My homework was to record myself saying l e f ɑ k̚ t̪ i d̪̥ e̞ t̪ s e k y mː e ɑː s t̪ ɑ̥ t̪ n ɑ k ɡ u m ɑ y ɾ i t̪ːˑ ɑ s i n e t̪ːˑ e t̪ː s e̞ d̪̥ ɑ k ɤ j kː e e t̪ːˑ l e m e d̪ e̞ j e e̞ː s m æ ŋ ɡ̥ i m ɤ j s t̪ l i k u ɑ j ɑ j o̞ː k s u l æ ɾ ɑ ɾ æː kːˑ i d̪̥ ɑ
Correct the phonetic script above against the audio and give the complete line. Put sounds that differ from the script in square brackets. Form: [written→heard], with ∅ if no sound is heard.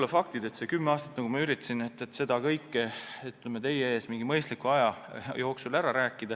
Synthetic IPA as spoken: l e f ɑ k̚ t̪ i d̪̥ e̞ t̪ s e k y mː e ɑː s t̪ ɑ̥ t̪ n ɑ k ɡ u m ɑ y ɾ i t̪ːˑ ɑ s i n e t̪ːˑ e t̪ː s e̞ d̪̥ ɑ k ɤ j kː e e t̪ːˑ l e m e [d̪→t̪] e̞ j e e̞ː s m [æ→i] ŋ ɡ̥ i m ɤ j s t̪ l i k u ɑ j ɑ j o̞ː k s u l æ ɾ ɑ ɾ æː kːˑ i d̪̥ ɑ